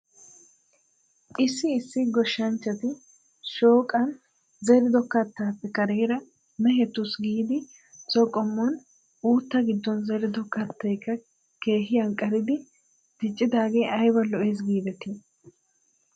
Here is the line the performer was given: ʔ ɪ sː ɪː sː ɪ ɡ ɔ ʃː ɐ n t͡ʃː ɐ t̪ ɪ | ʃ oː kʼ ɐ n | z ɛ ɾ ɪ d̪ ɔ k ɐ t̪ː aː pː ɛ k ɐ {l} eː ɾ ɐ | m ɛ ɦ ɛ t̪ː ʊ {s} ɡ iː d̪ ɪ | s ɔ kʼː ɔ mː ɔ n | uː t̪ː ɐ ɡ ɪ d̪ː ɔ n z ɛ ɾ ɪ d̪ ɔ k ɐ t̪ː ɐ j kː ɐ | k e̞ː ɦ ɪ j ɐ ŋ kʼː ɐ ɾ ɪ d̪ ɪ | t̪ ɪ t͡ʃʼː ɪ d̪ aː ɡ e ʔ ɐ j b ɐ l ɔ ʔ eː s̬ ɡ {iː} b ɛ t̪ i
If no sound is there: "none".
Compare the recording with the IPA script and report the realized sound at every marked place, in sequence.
ɾ, s, iː

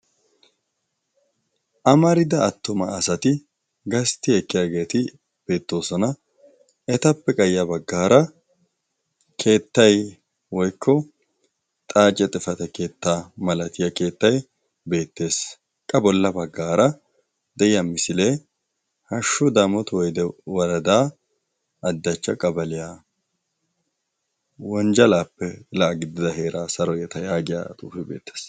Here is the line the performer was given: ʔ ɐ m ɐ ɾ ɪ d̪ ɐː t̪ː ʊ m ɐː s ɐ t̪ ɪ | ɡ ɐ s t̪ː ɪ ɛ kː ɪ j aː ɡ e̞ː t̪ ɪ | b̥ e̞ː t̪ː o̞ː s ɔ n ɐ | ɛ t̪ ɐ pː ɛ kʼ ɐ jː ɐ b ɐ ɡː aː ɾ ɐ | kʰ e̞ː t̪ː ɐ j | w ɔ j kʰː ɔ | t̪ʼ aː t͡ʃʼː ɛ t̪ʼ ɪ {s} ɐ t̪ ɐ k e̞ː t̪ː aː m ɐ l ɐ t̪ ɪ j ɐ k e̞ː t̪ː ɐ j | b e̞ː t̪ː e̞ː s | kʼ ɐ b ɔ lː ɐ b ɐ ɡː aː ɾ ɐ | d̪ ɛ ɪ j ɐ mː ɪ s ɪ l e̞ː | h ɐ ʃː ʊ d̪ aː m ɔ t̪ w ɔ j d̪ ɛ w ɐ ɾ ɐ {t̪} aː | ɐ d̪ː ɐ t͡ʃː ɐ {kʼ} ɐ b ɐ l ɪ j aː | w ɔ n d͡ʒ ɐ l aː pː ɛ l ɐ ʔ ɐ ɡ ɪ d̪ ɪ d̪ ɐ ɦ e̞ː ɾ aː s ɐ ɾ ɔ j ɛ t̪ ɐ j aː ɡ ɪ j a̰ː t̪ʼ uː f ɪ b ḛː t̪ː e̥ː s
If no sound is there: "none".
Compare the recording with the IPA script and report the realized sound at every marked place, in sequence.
f, d̪, kʼ

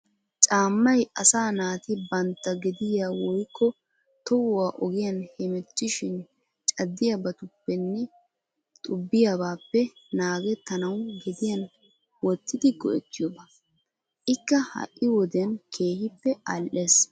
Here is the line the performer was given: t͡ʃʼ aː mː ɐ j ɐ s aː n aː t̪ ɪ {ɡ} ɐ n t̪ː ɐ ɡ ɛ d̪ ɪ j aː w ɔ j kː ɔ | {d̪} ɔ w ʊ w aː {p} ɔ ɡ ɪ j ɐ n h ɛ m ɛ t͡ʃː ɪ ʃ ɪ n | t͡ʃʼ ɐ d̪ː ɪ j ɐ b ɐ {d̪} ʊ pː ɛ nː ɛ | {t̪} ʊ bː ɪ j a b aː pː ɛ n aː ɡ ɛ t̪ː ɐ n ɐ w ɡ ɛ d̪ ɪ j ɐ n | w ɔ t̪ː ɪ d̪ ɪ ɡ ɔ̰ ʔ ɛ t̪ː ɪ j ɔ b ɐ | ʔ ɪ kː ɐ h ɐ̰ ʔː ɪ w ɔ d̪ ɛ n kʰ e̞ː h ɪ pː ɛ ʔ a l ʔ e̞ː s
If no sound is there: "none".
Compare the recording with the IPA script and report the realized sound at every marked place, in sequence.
b, t̪, ʔ, t̪, t̪ʼ

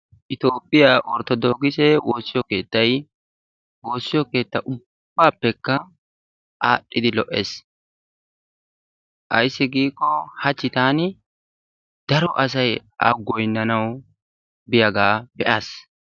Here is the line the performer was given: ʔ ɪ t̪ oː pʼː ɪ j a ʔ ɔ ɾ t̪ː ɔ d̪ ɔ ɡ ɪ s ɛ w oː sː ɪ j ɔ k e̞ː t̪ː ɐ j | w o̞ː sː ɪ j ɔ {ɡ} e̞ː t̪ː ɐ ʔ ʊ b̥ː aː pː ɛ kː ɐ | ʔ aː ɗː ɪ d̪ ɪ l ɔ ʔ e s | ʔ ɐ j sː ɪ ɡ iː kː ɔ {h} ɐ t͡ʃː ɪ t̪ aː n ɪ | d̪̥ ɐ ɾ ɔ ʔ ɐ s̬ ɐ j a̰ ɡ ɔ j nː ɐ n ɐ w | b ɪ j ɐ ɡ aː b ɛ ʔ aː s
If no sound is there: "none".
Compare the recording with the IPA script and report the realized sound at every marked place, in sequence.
k, h

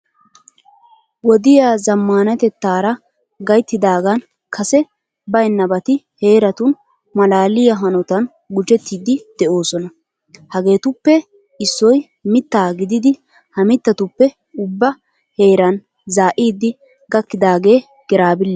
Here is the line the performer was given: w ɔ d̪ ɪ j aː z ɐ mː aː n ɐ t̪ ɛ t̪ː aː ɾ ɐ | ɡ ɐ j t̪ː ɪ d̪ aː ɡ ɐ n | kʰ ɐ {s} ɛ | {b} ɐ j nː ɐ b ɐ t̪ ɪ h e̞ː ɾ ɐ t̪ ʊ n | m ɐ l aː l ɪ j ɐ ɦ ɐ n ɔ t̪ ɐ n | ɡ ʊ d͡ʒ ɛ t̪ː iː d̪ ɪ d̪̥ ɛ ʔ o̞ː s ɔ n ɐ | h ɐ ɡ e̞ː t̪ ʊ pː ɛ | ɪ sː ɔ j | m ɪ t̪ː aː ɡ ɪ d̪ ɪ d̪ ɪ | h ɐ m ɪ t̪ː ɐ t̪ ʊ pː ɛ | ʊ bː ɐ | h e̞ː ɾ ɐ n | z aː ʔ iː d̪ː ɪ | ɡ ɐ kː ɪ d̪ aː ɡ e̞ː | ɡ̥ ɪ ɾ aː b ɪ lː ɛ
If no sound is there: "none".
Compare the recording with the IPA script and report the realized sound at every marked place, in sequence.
s, b

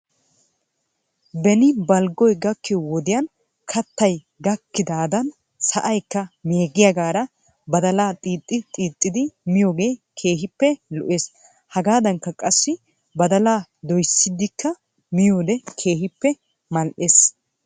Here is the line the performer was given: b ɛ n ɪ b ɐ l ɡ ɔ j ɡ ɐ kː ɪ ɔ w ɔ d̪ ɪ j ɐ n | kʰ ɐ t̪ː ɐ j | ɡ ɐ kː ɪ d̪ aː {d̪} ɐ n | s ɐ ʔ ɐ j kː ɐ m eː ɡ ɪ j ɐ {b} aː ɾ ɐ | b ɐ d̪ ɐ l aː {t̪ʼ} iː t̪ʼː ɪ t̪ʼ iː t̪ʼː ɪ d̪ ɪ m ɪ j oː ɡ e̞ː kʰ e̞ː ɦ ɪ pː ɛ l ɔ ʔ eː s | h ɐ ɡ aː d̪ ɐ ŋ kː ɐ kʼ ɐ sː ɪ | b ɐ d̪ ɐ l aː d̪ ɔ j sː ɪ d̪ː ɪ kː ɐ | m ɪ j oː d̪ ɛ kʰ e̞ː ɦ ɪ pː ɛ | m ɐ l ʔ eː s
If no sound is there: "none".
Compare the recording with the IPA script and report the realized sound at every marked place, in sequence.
d̪, ɡ, t̪ʼ

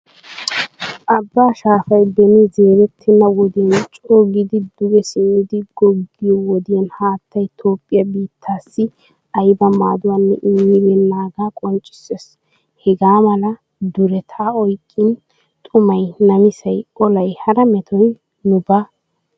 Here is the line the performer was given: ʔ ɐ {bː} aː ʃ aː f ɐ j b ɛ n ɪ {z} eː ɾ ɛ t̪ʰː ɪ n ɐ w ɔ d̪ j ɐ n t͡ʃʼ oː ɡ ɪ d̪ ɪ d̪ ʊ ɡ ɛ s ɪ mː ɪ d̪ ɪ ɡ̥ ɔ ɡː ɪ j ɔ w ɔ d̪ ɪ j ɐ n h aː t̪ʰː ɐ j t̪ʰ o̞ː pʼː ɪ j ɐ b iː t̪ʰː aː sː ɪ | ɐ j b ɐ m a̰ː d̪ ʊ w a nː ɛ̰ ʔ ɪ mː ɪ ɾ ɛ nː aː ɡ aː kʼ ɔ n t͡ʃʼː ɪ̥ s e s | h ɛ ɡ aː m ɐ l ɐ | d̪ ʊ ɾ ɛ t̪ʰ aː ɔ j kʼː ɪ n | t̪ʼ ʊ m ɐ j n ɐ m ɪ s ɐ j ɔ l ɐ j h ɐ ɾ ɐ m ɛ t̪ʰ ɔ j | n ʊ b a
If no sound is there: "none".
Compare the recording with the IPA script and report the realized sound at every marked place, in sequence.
bː, z

